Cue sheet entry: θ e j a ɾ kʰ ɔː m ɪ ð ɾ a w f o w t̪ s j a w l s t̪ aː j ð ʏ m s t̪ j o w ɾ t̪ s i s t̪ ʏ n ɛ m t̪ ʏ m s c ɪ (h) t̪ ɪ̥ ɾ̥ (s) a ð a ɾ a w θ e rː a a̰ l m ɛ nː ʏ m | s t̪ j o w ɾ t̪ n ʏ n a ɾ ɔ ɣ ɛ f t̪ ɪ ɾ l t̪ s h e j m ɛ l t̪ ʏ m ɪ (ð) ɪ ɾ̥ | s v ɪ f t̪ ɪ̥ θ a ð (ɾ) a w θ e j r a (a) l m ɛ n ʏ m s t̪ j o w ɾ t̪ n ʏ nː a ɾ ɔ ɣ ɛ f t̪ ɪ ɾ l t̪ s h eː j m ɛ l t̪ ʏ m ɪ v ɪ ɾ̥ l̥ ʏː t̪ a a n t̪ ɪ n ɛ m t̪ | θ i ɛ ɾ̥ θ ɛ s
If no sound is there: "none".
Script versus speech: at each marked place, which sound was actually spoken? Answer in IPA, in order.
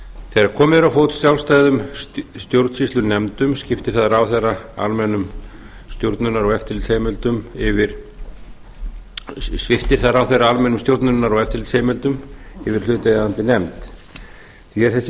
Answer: f, θ, v, ɾ, a

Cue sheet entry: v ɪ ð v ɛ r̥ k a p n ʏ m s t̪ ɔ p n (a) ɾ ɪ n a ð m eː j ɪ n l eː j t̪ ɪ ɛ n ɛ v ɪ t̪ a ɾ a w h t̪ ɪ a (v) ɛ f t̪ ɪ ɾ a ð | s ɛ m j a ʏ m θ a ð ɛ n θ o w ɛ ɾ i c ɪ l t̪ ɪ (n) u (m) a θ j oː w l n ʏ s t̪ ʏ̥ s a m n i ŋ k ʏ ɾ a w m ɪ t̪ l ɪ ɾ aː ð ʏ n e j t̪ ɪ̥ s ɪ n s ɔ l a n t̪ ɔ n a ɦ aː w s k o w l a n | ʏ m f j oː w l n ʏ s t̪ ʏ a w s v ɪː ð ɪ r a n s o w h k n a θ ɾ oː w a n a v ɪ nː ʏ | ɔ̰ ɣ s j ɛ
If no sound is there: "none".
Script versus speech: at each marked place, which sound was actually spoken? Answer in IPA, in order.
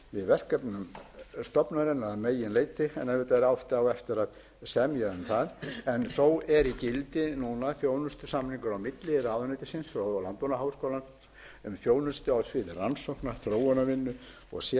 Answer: a, w, n, n

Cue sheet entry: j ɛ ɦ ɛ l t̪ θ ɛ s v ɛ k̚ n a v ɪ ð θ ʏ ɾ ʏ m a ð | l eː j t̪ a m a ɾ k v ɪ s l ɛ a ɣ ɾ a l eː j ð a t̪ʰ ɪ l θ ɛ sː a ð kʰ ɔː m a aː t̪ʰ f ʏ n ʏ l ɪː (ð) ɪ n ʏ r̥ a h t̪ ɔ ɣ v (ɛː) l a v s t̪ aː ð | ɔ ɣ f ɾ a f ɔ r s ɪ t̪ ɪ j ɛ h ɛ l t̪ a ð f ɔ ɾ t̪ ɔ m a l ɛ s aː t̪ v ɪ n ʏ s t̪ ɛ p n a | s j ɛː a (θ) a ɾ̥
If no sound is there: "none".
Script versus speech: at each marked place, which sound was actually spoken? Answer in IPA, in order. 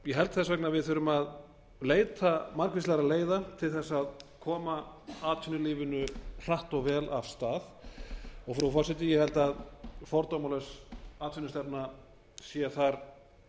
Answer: v, ɛː, θ

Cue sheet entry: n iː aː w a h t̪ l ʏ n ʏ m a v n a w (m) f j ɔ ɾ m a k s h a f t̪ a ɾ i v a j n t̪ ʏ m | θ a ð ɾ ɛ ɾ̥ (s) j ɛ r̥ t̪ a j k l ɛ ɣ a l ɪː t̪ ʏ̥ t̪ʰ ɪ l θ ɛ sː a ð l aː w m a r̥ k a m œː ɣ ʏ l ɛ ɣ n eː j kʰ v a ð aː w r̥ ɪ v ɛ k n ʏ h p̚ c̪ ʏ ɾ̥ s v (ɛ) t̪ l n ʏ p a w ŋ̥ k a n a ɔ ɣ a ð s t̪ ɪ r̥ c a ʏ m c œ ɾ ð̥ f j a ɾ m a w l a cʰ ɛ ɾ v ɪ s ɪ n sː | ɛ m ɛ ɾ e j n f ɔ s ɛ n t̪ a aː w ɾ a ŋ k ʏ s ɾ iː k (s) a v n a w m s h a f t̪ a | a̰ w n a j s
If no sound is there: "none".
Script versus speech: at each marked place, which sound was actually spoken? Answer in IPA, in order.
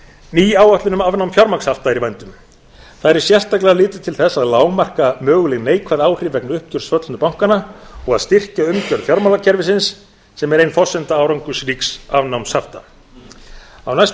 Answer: m, s, œ, s

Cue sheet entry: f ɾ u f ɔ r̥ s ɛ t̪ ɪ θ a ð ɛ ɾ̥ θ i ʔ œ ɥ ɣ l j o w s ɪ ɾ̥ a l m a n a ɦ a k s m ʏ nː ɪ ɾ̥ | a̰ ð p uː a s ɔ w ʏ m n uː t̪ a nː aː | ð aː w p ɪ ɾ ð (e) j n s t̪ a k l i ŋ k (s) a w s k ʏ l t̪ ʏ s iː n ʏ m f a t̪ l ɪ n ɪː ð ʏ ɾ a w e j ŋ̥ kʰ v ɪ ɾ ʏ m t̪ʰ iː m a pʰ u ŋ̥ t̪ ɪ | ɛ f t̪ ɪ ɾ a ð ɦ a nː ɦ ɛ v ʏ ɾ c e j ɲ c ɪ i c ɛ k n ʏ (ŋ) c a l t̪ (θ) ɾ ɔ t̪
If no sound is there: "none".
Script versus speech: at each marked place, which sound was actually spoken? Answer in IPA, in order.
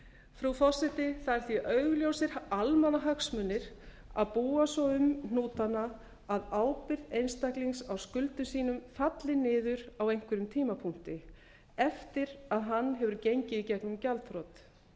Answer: e, s, m, f

